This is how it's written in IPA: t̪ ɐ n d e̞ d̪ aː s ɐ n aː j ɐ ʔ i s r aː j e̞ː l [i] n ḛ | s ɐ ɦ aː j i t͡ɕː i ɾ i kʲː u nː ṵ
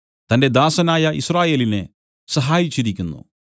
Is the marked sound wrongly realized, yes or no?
no